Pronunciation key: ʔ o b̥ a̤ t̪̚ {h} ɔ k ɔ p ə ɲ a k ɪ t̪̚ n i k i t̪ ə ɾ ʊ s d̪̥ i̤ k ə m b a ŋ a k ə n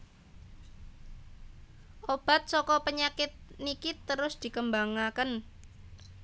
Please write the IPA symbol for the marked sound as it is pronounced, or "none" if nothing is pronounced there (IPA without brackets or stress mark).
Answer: s